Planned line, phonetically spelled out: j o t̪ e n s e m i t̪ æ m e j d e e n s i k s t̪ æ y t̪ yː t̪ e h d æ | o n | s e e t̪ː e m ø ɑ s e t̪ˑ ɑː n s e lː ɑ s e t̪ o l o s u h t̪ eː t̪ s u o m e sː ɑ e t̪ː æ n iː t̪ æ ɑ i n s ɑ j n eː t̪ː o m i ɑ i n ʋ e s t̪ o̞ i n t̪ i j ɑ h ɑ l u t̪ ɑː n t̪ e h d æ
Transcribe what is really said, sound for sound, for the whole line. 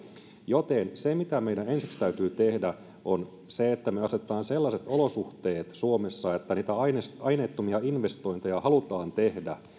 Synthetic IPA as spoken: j o t̪ e n s e m i t̪ æ m e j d æ e n s i k s t̪ æ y t̪ yː t̪ e h d æ | o n | s e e t̪ː æ m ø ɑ s e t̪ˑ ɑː n s e lː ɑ s e t̪ o l o s u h t̪ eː t̪ s u o m e sː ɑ e t̪ː æ n iː t̪ æ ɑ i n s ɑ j n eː t̪ː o m i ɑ i n ʋ e s t̪ o̞ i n t̪ e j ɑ h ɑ l u t̪ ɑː n t̪ e h d æ